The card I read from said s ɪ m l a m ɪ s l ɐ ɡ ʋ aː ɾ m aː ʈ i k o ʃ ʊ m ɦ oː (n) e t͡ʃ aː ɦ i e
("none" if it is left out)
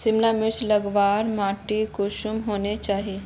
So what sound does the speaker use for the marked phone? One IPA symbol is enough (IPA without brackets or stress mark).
n